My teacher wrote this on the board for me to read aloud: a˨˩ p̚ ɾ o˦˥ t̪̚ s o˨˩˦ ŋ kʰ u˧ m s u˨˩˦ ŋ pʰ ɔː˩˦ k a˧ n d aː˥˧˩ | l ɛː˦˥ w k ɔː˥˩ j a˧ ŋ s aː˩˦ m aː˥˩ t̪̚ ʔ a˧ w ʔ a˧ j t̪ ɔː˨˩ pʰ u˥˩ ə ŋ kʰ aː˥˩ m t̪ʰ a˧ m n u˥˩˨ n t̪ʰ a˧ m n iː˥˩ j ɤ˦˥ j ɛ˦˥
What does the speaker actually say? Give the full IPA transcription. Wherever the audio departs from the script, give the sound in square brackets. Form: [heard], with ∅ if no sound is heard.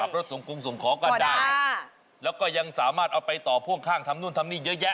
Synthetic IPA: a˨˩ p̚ ɾ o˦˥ t̪̚ s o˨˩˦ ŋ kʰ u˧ m s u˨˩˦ ŋ [kʰ] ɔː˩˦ k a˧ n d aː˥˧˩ | l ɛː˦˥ w k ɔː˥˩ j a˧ ŋ s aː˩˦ m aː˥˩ t̪̚ ʔ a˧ w [p] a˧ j t̪ ɔː˨˩ pʰ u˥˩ ə ŋ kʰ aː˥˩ [ŋ] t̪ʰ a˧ m n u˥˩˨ n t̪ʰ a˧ m n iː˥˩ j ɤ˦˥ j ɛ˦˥

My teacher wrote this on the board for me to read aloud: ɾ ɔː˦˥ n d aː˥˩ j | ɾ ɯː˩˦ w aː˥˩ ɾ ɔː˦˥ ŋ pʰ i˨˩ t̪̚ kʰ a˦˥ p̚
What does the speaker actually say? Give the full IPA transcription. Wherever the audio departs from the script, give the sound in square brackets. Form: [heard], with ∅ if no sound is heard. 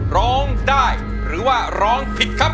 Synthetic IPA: ɾ ɔː˦˥ [ŋ] d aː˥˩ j | ɾ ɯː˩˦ w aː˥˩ ɾ ɔː˦˥ ŋ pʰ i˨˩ t̪̚ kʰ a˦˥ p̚

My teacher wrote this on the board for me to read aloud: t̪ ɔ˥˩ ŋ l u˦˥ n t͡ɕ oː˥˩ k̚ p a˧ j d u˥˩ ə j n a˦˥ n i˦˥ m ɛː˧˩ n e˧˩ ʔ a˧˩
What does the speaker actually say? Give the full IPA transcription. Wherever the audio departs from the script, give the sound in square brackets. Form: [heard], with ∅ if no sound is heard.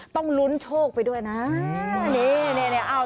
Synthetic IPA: t̪ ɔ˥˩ ŋ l u˦˥ n [t͡ɕʰ] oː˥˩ k̚ p a˧ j d u˥˩ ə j n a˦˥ n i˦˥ [n] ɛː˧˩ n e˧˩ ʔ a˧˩

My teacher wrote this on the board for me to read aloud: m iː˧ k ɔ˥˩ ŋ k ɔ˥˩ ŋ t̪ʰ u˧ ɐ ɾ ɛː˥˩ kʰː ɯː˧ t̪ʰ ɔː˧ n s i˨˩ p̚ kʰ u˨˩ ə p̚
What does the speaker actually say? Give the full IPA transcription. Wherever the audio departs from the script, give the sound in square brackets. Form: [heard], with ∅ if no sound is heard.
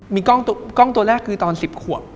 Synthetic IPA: m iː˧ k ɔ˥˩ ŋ k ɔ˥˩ ŋ [t̪] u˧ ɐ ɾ ɛː˥˩ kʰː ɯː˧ [t̪] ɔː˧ n s i˨˩ p̚ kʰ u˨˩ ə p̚

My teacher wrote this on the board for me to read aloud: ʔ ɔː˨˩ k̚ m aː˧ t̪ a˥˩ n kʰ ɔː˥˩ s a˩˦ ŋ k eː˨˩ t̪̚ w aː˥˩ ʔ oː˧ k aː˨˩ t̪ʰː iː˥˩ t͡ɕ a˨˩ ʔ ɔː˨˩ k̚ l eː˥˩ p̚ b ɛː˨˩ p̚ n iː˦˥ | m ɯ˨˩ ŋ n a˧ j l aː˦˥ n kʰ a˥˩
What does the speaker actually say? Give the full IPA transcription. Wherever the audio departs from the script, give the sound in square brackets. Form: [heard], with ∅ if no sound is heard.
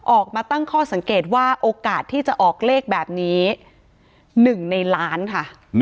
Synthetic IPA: ʔ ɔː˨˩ k̚ m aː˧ t̪ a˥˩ [ŋ] kʰ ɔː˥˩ s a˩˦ ŋ k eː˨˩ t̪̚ w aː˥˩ ʔ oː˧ k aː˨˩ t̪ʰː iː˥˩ t͡ɕ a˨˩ ʔ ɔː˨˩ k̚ l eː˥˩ [k̚] b ɛː˨˩ p̚ n iː˦˥ | [n] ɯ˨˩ ŋ n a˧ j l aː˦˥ n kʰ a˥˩

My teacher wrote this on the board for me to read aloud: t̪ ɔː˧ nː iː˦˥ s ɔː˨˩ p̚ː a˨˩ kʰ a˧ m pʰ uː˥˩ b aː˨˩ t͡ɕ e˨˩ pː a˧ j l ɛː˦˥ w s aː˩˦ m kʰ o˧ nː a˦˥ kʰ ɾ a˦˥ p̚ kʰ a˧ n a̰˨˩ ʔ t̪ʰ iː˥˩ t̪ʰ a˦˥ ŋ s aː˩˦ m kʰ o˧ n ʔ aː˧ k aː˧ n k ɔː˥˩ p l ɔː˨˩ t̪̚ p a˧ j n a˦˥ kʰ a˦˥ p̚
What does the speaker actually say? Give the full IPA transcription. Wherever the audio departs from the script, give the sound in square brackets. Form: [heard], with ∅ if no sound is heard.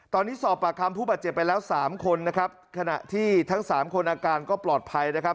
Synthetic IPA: t̪ ɔː˧ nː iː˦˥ s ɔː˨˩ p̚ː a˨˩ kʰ a˧ m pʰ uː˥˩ b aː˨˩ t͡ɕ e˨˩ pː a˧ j l ɛː˦˥ w s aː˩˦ m kʰ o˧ nː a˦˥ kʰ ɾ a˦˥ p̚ kʰ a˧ n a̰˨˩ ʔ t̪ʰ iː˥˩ t̪ʰ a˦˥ ŋ s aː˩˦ m kʰ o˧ n ʔ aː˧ k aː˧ n k ɔː˥˩ p l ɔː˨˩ t̪̚ [pʰ] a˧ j n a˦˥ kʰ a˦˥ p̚

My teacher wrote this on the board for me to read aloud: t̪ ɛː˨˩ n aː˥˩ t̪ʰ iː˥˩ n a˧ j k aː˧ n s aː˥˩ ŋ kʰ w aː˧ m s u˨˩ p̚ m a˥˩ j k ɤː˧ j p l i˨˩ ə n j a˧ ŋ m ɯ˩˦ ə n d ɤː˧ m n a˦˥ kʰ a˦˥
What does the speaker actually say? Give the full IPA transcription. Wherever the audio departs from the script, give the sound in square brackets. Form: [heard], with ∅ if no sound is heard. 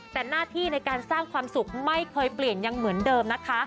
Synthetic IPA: t̪ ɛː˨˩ n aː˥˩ t̪ʰ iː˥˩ n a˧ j k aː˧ n s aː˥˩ ŋ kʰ w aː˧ m s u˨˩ [k̚] m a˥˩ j [kʰ] ɤː˧ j p l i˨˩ ə n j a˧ ŋ m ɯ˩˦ ə n d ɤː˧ m n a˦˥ kʰ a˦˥

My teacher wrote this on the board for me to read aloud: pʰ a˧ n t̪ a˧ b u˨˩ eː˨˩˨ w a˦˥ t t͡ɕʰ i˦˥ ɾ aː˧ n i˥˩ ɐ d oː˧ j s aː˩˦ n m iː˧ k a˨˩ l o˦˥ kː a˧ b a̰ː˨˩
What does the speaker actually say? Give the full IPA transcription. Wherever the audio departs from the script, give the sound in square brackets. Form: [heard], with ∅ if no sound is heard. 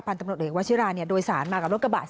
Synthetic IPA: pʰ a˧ n t̪ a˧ [m] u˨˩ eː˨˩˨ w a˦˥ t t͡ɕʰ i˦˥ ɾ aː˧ n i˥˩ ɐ d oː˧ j s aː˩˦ n m [aː˧] k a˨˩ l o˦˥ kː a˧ b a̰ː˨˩

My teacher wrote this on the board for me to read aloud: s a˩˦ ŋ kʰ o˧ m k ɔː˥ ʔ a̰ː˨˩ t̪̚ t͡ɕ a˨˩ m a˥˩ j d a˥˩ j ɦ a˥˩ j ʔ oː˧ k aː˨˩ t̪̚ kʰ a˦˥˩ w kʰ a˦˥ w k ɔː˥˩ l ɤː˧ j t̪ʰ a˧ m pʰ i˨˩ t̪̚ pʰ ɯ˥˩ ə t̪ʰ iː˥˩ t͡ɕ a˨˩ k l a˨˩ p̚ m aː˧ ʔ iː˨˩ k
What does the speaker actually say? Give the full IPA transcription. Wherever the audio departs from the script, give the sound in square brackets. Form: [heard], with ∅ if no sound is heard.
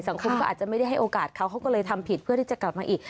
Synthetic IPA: s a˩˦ ŋ kʰ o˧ m k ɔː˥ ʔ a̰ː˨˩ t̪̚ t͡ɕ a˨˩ m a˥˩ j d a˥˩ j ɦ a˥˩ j ʔ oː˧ k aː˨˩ t̪̚ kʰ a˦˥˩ w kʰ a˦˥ w k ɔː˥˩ l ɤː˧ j t̪ʰ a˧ m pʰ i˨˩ t̪̚ pʰ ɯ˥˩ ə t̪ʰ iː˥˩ t͡ɕ a˨˩ k l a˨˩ p̚ m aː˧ ʔ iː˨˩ k

